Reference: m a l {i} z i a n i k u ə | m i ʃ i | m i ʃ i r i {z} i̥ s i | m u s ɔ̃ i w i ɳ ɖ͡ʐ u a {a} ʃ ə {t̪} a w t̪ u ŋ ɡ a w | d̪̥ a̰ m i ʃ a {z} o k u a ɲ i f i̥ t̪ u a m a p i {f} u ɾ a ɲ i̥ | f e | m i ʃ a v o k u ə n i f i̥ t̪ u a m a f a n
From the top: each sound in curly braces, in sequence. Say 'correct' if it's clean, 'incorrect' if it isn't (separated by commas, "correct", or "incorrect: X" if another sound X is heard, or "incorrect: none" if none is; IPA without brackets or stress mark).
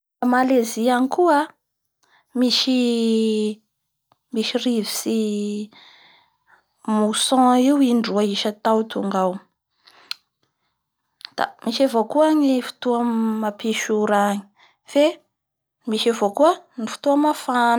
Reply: incorrect: e, incorrect: v, incorrect: i, correct, incorrect: v, incorrect: ʃ